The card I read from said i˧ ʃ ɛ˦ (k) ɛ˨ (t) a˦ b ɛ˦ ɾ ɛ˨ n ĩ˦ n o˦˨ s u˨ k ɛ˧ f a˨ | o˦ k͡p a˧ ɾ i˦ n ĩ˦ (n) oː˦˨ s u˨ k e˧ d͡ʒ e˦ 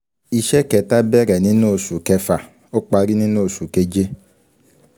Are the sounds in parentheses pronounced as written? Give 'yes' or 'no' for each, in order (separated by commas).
yes, yes, yes